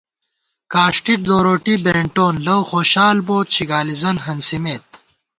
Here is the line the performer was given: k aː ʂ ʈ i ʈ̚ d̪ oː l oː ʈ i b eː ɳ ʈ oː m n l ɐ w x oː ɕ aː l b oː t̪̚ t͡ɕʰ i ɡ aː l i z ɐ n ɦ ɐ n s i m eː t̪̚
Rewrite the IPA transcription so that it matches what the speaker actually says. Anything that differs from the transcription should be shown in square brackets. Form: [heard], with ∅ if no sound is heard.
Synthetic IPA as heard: k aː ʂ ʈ i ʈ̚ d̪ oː [ɾ] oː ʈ i b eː ɳ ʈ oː [∅] n l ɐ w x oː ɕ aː l b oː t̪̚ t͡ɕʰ i ɡ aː l i z ɐ n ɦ ɐ n s i m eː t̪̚